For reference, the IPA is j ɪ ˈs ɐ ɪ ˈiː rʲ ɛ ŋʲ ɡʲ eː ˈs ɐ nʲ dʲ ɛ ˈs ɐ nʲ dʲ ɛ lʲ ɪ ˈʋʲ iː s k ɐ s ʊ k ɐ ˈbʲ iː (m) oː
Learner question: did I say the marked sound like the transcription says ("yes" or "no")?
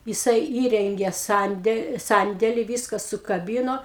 no